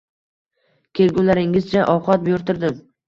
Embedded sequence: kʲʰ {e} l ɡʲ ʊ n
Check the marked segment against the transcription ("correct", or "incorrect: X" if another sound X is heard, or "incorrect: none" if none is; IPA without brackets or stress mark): correct